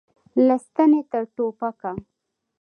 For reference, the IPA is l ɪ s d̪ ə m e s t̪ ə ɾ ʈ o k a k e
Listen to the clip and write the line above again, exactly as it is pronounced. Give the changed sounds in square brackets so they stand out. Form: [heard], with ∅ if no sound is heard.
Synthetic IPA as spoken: l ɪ s [t̪] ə [n] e [∅] t̪ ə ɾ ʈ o [p] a k [a]